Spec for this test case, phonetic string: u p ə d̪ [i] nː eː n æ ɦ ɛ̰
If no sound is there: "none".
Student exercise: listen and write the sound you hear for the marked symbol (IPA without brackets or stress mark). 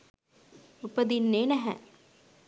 i